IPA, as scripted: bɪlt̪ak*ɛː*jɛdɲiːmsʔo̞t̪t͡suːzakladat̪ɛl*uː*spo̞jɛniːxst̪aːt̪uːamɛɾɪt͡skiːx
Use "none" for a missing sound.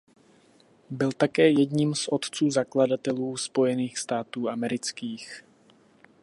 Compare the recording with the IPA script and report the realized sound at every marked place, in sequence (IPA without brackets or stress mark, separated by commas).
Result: ɛː, uː